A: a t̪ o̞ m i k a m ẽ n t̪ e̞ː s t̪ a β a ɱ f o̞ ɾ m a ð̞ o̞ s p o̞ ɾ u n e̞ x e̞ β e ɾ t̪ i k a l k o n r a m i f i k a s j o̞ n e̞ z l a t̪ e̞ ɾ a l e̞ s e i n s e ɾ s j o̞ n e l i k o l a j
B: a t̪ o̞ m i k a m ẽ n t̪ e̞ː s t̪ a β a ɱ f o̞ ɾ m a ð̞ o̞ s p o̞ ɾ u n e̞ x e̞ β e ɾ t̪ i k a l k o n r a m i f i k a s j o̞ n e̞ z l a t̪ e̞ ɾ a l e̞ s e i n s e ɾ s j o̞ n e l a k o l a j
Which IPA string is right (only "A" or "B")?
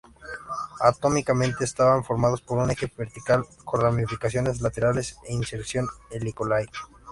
A